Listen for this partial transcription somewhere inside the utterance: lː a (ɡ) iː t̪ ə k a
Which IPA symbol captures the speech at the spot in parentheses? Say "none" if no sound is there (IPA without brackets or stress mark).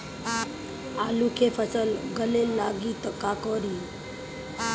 ɡ